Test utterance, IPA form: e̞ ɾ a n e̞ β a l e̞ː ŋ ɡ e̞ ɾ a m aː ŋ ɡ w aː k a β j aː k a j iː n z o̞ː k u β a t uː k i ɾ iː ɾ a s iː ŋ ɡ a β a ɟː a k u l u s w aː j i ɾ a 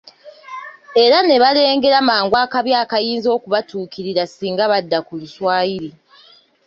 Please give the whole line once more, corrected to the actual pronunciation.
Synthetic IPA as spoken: e̞ ɾ a n e̞ β a l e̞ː ŋ ɡ e̞ ɾ a m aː ŋ ɡ w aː k a β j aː k a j iː n z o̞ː k u β a t uː k i ɾ i ɾ a s iː ŋ ɡ a β a dː a k u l u s w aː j i ɾ i